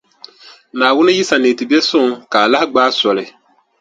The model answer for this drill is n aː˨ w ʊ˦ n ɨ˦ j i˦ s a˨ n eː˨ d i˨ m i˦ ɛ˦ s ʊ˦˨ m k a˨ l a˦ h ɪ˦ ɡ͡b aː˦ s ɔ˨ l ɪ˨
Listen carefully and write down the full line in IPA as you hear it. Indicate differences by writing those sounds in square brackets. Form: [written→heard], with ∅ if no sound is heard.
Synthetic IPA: n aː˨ w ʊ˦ n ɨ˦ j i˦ s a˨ n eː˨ [d→t] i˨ [m→b] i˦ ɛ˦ s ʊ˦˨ [m→ŋ] k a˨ l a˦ h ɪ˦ ɡ͡b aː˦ s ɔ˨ l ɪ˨

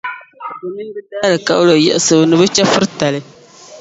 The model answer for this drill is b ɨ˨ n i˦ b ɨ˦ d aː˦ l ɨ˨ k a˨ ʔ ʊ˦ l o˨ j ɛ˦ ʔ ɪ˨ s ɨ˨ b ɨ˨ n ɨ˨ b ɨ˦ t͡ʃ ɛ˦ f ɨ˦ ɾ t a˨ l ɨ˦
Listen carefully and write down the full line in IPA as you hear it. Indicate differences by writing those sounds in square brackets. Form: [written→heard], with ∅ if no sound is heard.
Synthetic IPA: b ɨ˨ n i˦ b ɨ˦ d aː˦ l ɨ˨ k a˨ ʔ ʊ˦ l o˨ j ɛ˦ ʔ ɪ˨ s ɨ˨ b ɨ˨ n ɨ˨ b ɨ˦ t͡ʃ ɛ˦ f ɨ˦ ɾ t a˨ l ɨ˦

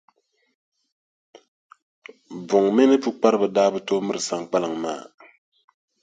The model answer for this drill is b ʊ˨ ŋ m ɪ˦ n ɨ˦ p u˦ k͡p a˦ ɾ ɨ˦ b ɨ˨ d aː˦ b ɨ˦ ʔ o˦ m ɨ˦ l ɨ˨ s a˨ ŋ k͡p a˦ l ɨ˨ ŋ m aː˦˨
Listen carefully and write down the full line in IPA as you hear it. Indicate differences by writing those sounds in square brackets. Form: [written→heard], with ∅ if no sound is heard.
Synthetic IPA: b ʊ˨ ŋ m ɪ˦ n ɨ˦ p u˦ k͡p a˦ ɾ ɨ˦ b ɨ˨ d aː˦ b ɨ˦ [ʔ→t] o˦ m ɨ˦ [l→ɾ] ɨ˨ s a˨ ŋ k͡p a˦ l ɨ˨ ŋ m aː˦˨

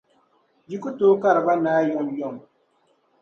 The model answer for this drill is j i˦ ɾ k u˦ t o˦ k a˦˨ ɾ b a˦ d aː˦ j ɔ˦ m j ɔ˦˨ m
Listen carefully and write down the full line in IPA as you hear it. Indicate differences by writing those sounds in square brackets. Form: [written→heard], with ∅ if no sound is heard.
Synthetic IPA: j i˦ [ɾ→∅] k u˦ t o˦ k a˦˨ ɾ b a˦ [d→n] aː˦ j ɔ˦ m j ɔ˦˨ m

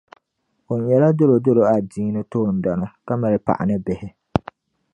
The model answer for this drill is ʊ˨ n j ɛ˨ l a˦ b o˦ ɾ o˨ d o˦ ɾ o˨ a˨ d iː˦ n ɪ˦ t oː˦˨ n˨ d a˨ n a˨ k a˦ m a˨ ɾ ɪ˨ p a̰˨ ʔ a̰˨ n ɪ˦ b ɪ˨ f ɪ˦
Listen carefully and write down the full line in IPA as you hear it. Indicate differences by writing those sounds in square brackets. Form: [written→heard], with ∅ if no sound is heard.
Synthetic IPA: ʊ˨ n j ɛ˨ l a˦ [b→d] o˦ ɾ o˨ d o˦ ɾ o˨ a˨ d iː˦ n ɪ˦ t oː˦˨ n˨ d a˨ n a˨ k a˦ m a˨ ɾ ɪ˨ p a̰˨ ʔ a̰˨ n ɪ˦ b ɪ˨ [f→h] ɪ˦

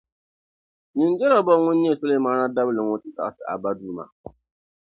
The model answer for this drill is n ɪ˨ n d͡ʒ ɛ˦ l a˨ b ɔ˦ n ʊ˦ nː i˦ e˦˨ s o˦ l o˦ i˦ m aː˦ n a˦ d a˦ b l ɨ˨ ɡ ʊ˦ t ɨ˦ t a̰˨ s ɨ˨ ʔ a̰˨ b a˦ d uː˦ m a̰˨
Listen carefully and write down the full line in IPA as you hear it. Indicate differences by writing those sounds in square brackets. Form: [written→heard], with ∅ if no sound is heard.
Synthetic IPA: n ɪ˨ n d͡ʒ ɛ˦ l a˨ b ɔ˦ [n→ŋ] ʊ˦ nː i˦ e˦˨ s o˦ l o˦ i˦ m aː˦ n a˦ d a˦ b l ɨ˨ [ɡ→ŋ] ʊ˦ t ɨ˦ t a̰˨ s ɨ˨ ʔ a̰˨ b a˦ d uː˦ m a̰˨

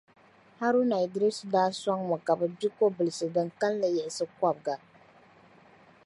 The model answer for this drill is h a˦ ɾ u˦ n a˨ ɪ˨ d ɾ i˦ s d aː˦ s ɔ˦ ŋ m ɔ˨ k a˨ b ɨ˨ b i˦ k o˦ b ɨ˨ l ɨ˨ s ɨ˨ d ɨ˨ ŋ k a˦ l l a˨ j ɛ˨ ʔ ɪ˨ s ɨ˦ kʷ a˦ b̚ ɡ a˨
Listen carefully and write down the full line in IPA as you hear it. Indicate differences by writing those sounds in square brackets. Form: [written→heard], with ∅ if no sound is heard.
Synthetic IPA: h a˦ ɾ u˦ n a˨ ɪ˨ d ɾ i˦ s d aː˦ s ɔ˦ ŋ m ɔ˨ k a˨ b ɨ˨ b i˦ k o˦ b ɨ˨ l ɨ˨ s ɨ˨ d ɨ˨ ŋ k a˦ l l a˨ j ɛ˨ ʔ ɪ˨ s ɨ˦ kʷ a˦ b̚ ɡ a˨

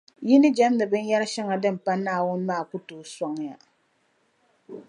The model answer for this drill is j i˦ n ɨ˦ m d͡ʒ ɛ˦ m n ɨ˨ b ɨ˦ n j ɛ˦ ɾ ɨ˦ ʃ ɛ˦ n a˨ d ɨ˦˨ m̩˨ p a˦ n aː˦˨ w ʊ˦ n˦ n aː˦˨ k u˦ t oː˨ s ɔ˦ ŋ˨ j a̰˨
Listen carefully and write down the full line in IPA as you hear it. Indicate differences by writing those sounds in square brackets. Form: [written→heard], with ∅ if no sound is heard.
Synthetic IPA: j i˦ n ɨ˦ [m→∅] d͡ʒ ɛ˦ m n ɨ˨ b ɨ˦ n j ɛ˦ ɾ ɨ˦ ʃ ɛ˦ [n→ŋ] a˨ d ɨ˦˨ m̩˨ p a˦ n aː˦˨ w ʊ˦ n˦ [n→m] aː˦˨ k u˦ t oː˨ s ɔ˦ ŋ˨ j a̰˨

